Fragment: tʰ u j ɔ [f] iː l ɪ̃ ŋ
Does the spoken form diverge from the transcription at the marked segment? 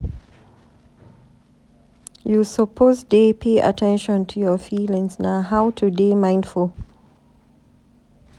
no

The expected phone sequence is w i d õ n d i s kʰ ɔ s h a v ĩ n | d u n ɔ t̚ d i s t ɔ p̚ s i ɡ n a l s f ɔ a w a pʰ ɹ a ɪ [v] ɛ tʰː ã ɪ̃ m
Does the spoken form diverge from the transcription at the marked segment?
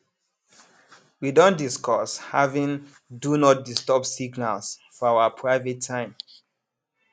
no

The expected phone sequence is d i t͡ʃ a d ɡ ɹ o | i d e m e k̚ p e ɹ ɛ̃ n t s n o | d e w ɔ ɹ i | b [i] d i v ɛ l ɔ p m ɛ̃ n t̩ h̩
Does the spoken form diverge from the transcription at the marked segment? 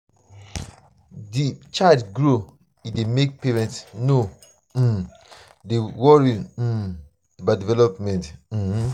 yes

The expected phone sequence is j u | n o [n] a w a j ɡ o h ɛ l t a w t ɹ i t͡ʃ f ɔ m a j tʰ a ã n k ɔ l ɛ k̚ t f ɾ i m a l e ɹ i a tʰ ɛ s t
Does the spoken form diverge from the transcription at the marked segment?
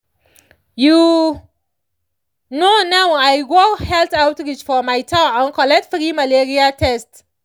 no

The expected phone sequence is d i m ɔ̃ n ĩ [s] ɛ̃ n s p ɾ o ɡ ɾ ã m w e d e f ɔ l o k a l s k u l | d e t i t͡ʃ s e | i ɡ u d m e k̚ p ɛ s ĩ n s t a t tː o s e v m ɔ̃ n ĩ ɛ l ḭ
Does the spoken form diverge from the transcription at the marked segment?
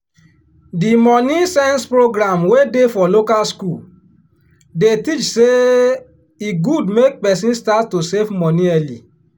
no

